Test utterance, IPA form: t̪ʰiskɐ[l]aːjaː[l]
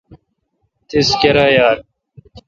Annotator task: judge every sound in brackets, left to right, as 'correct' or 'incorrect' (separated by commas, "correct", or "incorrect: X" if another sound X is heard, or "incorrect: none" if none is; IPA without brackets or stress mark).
incorrect: ɾ, incorrect: ɾ